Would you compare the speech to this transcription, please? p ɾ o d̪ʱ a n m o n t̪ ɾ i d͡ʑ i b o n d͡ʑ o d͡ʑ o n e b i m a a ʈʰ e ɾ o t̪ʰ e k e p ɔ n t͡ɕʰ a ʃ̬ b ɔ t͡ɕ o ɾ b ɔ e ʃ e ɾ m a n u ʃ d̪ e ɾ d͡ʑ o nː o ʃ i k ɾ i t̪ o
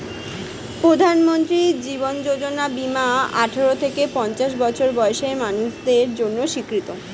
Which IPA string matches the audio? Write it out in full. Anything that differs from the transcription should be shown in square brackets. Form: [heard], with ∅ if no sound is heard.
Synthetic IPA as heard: p ɾ o d̪ʱ a n m o n t̪ ɾ i d͡ʑ i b o n d͡ʑ o d͡ʑ o n [a] b i m a a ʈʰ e ɾ o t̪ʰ e k e p ɔ n [t͡ɕ] a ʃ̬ b ɔ [t͡ɕʰ] o ɾ b ɔ e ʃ e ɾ m a n u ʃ d̪ e ɾ d͡ʑ o nː o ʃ i k ɾ i t̪ o